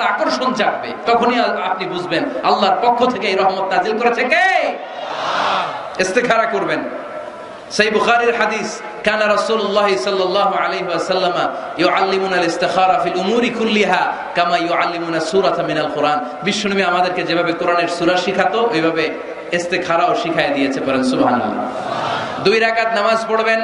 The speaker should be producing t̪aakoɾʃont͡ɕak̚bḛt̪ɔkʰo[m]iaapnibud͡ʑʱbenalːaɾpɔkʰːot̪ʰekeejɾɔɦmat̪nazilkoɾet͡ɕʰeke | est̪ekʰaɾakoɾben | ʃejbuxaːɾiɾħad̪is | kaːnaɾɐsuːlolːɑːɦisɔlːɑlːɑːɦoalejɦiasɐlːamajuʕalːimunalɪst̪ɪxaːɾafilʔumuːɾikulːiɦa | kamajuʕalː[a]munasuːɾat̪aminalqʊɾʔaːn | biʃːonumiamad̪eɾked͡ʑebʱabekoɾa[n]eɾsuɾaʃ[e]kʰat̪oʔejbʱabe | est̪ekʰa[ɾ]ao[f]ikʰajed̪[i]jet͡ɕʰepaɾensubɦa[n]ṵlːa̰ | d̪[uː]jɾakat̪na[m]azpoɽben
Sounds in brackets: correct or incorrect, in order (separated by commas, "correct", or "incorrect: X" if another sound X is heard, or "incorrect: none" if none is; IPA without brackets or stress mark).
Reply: incorrect: n, incorrect: i, correct, incorrect: i, correct, incorrect: ʃ, correct, correct, incorrect: u, correct